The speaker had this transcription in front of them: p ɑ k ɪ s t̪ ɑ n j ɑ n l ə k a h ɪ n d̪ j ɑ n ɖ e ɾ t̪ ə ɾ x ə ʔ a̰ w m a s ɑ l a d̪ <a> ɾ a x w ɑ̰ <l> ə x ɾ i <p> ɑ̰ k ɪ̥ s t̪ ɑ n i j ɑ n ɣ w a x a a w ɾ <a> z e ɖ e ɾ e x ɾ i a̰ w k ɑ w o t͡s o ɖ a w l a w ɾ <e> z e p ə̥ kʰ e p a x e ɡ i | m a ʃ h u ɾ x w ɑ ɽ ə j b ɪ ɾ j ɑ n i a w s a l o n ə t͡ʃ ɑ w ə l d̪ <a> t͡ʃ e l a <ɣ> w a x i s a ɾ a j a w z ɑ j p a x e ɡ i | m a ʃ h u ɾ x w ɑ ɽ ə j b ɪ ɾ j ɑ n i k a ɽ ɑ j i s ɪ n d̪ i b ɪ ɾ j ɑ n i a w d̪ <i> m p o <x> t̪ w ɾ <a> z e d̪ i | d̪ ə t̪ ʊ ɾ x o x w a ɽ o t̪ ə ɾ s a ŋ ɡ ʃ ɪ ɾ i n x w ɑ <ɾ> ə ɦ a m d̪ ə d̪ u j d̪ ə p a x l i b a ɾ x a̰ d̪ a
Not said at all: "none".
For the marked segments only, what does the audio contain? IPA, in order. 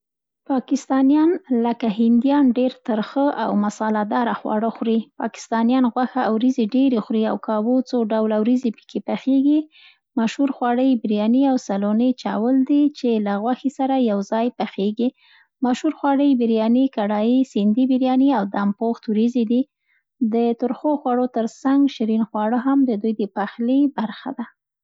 ɑ, ɽ, p, i, i, i, ɣ, a, x, i, ɽ

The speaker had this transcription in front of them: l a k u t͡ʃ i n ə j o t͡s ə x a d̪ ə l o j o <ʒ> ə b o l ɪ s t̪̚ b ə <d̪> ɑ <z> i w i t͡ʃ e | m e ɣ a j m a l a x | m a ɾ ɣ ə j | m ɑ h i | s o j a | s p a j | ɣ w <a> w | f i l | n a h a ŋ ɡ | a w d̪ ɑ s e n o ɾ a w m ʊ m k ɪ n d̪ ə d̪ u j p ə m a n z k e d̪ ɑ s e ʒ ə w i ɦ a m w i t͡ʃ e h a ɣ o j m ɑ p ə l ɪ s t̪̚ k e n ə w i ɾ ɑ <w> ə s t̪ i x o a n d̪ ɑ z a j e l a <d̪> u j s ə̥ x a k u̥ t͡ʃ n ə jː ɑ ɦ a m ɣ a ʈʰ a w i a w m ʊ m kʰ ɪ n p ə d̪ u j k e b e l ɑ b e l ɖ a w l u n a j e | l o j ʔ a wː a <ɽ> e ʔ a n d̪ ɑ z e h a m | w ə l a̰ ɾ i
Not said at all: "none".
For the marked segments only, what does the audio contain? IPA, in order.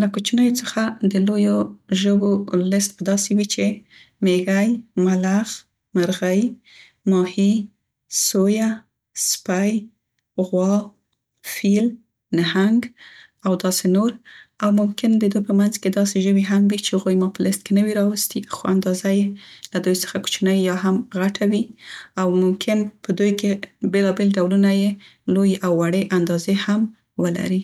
ʒ, d̪, s, ɑ, w, d̪, ɽ

